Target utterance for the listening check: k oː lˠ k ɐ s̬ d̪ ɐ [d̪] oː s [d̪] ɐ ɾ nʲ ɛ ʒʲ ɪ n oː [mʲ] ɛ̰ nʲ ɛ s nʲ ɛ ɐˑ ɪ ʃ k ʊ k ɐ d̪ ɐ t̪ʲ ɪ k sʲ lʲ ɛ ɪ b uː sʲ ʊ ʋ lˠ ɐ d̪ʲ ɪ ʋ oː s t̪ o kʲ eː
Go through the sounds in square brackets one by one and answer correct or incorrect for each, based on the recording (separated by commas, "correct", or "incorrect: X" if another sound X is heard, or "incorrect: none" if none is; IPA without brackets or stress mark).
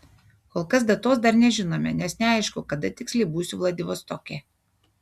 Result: incorrect: t̪, correct, correct